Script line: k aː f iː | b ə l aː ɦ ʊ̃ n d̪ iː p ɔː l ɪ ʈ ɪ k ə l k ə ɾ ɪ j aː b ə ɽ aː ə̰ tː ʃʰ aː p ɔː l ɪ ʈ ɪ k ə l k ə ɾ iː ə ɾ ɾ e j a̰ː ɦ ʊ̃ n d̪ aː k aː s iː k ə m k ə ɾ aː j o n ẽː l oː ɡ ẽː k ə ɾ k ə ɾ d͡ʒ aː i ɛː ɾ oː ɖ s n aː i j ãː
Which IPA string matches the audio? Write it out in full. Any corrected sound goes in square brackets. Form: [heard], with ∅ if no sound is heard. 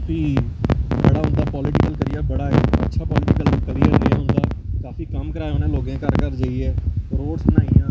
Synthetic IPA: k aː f iː | b ə [ɽ] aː ɦ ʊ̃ n d̪ [aː] p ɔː l ɪ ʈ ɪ k ə l k ə ɾ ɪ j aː b ə ɽ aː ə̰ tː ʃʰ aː p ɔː l ɪ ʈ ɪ k ə l k ə ɾ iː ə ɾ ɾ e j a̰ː ɦ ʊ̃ n d̪ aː k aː [f] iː k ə m k ə ɾ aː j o n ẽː l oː ɡ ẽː k ə ɾ k ə ɾ d͡ʒ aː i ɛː ɾ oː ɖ s n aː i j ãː